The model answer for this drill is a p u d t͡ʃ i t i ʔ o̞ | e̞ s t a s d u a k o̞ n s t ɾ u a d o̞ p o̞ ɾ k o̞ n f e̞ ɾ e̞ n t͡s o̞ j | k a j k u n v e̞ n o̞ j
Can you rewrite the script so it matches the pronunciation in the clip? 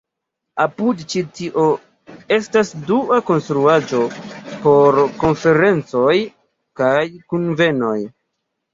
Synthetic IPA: a p u d t͡ʃ i t i ʔ o̞ | e̞ s t a s d u a k o̞ n s t ɾ u a d͡ʒ o̞ p o̞ ɾ k o̞ n f e̞ ɾ e̞ n t͡s o̞ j | k a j k u n v e̞ n o̞ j